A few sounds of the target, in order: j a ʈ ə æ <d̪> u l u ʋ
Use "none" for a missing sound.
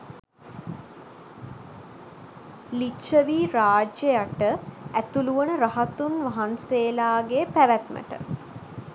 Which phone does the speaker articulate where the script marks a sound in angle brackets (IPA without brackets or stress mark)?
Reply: t̪